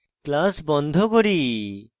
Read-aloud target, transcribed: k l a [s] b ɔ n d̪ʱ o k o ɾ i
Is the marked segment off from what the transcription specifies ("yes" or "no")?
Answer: no